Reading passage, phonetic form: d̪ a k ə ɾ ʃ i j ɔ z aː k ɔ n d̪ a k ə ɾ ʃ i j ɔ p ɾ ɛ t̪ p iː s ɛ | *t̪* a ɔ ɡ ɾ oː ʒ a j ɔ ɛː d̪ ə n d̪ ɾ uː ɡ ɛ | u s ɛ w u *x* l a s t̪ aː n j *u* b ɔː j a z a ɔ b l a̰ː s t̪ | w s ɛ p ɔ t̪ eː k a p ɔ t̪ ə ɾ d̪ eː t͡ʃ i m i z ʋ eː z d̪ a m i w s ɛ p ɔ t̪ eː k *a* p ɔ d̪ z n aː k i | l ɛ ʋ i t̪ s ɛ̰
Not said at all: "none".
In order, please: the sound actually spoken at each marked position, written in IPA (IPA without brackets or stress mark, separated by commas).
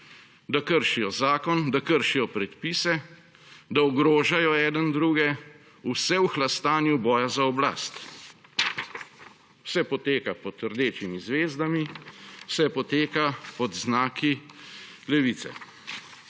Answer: d̪, x, u, a